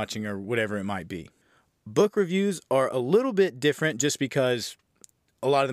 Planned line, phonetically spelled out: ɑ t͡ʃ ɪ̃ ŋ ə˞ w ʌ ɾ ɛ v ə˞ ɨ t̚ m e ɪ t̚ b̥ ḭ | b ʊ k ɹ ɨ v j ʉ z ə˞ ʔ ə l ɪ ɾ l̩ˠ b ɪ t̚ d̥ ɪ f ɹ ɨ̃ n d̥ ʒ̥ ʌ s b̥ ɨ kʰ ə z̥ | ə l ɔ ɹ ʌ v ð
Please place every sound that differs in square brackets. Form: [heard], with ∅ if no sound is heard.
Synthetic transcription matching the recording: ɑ t͡ʃ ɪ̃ ŋ ə˞ w ʌ ɾ ɛ v ə˞ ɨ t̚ m [a] ɪ t̚ b̥ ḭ | b ʊ k ɹ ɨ v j ʉ z ə˞ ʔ ə l ɪ ɾ l̩ˠ b ɪ t̚ d̥ ɪ f ɹ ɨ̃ n d̥ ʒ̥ ʌ s b̥ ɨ kʰ [ʌ] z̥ | ə l ɔ [ɾ] ʌ v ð